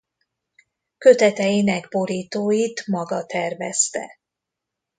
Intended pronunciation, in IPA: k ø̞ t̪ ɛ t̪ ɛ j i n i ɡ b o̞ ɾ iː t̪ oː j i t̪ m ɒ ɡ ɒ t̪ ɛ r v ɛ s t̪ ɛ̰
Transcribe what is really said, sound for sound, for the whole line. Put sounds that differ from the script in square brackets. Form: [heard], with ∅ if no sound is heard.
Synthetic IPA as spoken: k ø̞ t̪ ɛ t̪ ɛ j i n [ɛ] ɡ b o̞ ɾ iː t̪ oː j i t̪ m ɒ ɡ ɒ t̪ ɛ r v ɛ s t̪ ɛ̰

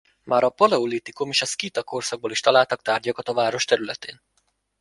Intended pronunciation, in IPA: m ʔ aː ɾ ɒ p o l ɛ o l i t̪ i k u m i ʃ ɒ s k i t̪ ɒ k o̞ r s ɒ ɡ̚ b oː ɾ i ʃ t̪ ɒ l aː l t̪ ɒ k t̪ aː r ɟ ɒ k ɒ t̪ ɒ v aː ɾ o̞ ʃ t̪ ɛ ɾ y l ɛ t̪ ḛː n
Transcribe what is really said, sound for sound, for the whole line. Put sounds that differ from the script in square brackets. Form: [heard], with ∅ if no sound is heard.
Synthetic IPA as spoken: m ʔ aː ɾ ɒ p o l ɛ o l i t̪ i k u m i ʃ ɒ s k i t̪ ɒ k o̞ r s ɒ ɡ̚ b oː [l] i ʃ t̪ ɒ l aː l t̪ ɒ k t̪ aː r ɟ ɒ k ɒ t̪ ɒ v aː ɾ o̞ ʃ t̪ ɛ ɾ y l ɛ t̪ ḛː n

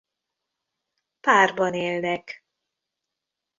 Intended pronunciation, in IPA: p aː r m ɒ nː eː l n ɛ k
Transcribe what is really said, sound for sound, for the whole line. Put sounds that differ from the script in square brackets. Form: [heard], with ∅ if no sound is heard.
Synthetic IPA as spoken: p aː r [b] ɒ [n] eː l n ɛ k

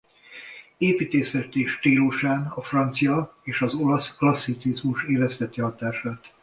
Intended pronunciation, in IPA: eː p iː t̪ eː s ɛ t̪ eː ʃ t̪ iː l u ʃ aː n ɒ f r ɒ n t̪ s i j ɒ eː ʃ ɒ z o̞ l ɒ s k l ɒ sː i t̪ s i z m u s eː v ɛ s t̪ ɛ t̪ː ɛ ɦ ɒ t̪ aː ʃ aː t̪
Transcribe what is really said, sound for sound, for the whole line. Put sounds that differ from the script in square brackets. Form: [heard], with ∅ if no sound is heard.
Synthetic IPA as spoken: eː p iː t̪ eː s ɛ t̪ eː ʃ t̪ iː l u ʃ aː n ɒ f r ɒ n t̪ s i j ɒ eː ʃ ɒ z o̞ l ɒ s k l ɒ sː i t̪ s i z m u [ʃ] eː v ɛ s t̪ ɛ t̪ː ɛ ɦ ɒ t̪ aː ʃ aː t̪

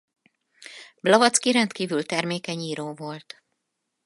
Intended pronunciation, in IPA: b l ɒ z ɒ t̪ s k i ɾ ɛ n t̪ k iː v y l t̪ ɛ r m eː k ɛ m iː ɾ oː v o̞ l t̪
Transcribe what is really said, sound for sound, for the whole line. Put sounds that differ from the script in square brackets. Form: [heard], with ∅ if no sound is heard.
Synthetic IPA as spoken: b l ɒ [v] ɒ t̪ s k i ɾ ɛ n t̪ k iː v y l t̪ ɛ r m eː k ɛ [ɲ] iː ɾ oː v o̞ l t̪

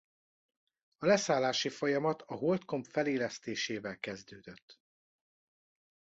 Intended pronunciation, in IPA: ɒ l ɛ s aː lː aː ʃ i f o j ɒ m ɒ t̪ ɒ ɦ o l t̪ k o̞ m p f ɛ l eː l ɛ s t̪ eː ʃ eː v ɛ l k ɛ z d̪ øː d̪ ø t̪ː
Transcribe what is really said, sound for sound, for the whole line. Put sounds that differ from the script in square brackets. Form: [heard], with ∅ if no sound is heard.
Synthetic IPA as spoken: ɒ l ɛ s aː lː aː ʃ i f o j ɒ m ɒ t̪ ɒ ɦ o l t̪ k o̞ m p f ɛ l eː l ɛ s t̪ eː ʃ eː v ɛ l k ɛ z d̪ øː d̪ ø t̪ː

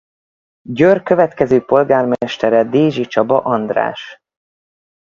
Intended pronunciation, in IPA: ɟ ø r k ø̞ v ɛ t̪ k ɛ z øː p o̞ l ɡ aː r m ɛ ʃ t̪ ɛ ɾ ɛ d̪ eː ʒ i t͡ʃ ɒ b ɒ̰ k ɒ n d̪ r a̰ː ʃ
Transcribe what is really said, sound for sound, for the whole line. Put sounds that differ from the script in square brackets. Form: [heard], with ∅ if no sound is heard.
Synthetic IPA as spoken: ɟ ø r k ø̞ v ɛ t̪ k ɛ z øː p o̞ l ɡ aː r m ɛ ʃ t̪ ɛ ɾ ɛ d̪ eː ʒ i t͡ʃ ɒ b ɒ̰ [ʔ] ɒ n d̪ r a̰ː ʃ

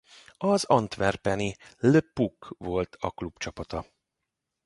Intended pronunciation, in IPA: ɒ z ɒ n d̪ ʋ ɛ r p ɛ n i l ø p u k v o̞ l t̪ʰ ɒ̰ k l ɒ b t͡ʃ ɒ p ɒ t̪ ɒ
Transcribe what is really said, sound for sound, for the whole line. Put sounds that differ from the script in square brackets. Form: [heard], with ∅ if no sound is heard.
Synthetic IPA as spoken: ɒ z ɒ n [t̪] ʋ ɛ r p ɛ n i l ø p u k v o̞ l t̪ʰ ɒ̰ k l [u] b t͡ʃ ɒ p ɒ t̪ ɒ

